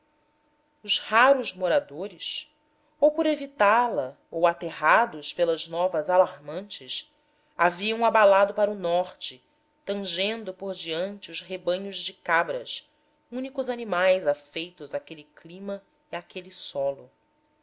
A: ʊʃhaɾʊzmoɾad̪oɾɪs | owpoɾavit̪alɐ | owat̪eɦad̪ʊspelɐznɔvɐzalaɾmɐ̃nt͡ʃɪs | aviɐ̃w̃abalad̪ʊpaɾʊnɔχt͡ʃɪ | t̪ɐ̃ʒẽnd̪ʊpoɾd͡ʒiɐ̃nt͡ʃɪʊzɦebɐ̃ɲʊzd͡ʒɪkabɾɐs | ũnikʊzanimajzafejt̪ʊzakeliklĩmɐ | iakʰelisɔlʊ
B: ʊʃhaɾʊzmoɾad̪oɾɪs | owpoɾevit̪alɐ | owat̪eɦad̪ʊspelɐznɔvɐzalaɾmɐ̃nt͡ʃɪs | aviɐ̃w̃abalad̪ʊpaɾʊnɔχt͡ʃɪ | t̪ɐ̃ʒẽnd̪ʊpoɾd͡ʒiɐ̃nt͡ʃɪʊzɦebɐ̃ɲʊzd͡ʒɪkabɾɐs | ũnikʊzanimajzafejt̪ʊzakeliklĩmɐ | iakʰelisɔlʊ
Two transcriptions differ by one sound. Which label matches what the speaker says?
B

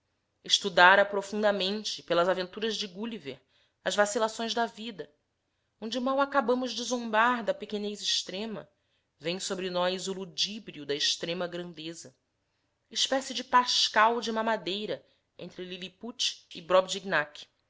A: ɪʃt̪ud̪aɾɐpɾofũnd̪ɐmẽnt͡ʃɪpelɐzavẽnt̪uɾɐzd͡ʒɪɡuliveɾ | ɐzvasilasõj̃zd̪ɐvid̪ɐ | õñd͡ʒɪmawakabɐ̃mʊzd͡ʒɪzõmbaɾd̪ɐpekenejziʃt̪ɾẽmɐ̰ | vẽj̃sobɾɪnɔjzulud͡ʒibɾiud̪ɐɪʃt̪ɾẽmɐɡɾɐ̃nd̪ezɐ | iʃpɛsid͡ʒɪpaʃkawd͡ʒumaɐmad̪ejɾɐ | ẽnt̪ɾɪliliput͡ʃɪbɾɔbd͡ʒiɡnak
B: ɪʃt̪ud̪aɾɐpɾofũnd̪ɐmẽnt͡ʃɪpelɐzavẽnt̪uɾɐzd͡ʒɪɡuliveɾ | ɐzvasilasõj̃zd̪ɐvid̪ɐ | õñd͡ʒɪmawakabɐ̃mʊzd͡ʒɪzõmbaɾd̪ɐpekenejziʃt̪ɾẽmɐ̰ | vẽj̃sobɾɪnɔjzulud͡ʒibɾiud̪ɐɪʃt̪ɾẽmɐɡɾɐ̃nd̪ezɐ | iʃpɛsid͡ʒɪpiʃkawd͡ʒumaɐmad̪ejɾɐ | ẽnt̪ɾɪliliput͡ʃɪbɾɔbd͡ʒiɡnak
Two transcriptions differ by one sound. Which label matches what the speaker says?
A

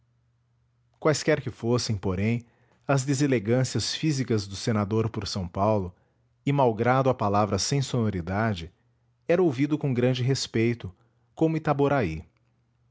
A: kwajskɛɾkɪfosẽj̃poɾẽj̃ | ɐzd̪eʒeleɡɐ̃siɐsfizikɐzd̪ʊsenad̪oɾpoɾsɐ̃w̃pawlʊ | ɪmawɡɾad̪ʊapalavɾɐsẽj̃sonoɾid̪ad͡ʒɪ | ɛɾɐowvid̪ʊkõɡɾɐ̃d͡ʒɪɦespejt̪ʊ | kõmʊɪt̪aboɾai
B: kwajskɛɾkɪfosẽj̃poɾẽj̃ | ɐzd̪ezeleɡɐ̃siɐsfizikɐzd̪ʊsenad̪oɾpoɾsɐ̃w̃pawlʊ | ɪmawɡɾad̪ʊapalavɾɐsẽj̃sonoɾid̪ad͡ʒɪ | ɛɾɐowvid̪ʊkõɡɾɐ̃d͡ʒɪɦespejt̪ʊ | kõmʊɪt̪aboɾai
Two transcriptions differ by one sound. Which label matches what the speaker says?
B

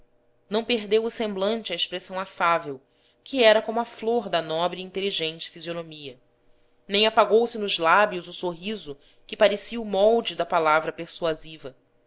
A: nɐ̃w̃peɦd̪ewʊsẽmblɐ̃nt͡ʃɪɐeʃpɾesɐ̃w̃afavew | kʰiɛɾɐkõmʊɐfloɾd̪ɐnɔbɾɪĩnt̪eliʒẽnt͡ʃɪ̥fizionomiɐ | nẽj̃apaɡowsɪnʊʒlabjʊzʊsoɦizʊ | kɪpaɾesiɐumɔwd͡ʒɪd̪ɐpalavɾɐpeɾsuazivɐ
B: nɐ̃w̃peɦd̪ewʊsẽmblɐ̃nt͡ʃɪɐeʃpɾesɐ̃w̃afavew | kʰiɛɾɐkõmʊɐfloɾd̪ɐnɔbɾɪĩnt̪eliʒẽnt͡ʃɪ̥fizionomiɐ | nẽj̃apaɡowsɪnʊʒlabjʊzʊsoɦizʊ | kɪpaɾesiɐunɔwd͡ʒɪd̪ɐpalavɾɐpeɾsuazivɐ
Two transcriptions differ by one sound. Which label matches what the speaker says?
A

